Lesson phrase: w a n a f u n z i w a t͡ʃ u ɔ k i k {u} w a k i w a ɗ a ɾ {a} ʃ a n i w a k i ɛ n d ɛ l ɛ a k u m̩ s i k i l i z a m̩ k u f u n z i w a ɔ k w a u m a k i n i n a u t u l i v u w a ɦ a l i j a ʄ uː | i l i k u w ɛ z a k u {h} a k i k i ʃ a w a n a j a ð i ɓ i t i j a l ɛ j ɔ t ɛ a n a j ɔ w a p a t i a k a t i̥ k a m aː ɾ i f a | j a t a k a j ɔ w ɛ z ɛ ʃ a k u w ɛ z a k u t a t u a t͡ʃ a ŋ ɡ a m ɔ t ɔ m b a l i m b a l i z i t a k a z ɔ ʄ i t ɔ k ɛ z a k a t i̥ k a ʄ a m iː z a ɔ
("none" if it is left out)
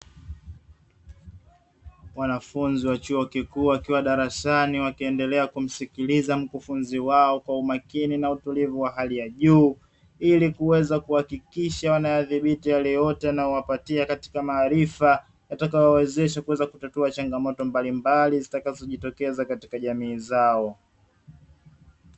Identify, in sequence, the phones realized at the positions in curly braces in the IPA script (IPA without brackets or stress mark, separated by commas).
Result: uː, a, h